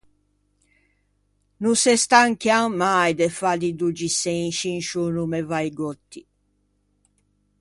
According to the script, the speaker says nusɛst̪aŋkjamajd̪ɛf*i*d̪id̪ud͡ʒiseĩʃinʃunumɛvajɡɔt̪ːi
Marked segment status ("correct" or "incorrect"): incorrect